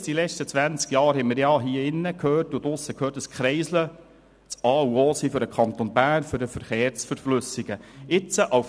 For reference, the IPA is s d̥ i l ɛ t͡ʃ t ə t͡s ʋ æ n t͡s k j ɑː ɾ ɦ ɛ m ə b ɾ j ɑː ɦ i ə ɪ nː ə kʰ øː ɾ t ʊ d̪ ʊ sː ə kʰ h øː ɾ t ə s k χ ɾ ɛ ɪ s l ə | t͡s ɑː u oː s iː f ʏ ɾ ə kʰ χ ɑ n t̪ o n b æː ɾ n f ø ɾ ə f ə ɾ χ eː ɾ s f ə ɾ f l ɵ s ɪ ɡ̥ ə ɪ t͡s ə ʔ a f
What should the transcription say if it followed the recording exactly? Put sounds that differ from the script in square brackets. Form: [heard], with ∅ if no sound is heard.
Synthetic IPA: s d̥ i l ɛ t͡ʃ t ə t͡s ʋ æ n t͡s k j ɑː ɾ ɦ ɛ m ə [∅] ɾ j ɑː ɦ i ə ɪ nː ə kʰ øː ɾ t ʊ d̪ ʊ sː ə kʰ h øː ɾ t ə s k χ ɾ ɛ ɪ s l ə | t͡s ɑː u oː s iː f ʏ ɾ ə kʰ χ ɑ n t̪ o n b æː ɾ n f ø ɾ ə f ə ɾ χ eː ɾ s f ə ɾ f l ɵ s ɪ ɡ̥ ə ɪ t͡s ə ʔ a f